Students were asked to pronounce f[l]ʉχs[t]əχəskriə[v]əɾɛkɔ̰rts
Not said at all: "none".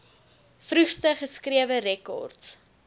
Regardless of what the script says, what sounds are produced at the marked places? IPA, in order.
r, t, v

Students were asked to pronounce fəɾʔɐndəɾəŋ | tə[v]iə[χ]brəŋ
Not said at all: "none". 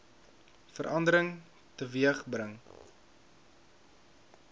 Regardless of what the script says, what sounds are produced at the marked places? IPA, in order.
v, χ

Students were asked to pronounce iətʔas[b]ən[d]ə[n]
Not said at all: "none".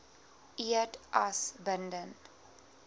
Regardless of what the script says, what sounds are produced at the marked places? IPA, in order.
b, d, n

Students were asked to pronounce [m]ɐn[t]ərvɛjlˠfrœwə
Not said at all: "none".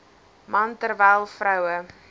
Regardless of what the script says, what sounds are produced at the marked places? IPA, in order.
m, t

